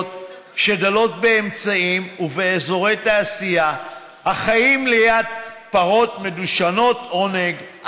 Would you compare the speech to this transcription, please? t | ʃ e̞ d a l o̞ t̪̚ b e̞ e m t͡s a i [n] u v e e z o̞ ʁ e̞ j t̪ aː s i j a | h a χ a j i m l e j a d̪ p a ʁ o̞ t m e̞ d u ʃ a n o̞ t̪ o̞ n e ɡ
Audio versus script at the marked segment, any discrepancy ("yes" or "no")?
yes